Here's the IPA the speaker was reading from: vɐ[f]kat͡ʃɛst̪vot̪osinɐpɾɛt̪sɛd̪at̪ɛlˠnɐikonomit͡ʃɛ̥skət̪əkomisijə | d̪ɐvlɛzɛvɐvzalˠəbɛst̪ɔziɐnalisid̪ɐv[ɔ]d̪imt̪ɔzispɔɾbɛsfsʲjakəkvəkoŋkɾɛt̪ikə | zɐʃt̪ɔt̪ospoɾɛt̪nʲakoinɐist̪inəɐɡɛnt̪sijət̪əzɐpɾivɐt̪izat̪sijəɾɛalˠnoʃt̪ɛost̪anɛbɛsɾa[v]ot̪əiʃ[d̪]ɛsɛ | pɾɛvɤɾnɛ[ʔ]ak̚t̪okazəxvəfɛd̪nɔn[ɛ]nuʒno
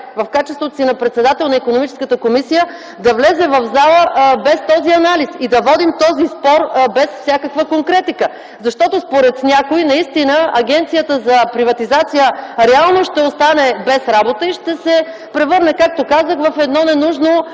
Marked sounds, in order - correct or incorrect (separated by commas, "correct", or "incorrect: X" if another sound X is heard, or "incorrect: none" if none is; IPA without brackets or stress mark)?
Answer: correct, correct, incorrect: b, incorrect: t̪, incorrect: k, correct